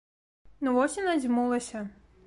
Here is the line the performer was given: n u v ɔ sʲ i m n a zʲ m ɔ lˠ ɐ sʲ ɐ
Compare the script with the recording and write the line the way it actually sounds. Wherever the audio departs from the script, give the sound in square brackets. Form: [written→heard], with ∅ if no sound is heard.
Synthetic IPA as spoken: n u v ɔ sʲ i [m→∅] n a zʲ m [ɔ→u] lˠ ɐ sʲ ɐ